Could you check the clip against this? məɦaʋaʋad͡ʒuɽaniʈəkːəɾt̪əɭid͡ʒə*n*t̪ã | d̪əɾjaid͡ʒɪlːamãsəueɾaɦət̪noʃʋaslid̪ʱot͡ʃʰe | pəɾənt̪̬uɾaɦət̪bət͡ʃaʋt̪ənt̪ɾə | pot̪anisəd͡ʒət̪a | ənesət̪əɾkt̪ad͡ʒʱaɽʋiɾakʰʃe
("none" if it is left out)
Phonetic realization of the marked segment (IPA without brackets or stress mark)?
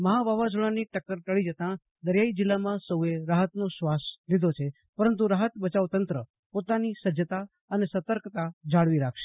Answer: none